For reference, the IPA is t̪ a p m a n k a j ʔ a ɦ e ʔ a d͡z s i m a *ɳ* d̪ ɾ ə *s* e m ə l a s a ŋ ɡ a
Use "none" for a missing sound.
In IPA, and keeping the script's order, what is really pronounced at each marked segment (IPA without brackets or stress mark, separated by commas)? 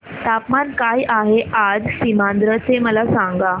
n, t͡s